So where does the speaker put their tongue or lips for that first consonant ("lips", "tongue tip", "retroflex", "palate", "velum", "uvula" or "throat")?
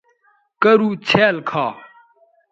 velum